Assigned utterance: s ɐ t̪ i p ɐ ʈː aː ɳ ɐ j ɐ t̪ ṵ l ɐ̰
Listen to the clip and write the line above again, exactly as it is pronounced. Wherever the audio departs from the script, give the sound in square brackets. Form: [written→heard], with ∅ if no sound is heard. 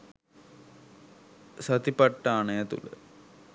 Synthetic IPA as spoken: s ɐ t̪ i p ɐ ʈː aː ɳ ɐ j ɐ t̪ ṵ l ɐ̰